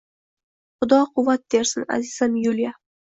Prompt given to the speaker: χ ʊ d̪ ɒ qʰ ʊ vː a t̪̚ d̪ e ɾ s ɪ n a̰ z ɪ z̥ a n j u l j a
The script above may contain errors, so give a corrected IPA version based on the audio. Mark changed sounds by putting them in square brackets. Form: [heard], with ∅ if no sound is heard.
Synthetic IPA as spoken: χ ʊ d̪ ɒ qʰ ʊ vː a t̪̚ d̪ e ɾ s ɪ n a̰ z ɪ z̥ a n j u l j a